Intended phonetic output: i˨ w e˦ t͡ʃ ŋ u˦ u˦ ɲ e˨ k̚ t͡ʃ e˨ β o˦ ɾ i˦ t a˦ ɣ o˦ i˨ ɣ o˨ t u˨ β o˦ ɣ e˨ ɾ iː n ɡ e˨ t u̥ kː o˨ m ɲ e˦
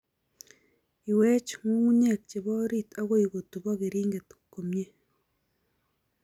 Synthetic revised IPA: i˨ w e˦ t͡ʃ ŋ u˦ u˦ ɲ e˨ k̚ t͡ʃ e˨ β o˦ ɾ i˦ t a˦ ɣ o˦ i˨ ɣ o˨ t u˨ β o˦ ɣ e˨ ɾ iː ŋ ɡ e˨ t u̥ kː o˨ m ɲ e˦